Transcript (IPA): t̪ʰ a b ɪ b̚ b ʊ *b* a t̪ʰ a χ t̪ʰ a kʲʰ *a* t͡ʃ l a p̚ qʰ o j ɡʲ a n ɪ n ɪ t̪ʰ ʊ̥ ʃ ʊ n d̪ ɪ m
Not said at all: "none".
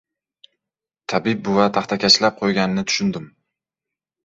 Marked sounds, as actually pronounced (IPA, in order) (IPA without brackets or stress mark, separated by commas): v, a